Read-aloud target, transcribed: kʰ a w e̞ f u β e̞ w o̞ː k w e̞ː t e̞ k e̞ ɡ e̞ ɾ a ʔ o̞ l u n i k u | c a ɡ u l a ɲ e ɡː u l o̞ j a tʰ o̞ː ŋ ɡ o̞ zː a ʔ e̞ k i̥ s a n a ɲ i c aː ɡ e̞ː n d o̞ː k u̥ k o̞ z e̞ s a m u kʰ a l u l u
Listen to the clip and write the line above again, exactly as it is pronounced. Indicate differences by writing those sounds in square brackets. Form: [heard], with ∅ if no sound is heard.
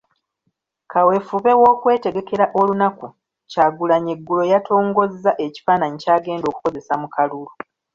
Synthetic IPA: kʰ a w e̞ f u β e̞ w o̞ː k w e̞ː t e̞ [ɡ] e̞ [k] e̞ ɾ a ʔ o̞ l u n [a] k u | c a ɡ u l a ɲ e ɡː u l o̞ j a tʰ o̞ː ŋ ɡ o̞ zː a ʔ e̞ [c] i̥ [f] a n a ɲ i c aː ɡ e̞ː n d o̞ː k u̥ k o̞ z e̞ s a m u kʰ a l u l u